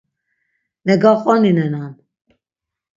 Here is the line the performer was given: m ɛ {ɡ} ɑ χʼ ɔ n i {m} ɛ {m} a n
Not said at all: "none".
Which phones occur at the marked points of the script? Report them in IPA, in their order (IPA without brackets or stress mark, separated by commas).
ɡ, n, n